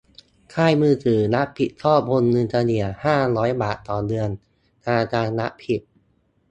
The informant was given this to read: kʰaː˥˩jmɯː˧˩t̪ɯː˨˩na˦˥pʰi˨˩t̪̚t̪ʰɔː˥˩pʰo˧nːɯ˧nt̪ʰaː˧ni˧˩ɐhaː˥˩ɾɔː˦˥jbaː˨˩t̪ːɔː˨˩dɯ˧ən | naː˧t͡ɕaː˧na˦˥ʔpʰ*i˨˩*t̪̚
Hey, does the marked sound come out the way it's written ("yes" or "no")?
yes